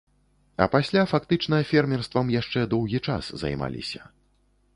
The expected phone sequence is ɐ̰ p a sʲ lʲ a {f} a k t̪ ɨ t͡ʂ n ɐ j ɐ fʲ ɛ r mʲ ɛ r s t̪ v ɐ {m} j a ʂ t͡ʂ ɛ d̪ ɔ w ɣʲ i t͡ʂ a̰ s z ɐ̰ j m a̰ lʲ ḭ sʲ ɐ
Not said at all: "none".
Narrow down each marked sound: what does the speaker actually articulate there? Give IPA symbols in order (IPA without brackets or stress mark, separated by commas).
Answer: f, m